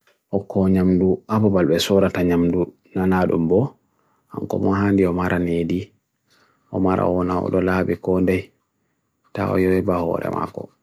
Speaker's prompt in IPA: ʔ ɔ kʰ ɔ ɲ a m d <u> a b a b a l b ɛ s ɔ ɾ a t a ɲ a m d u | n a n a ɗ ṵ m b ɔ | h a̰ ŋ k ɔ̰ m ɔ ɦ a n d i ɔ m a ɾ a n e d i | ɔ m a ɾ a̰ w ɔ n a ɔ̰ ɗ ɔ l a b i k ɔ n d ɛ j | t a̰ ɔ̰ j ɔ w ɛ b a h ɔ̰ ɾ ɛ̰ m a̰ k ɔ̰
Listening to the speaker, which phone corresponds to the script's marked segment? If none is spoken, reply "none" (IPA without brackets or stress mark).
u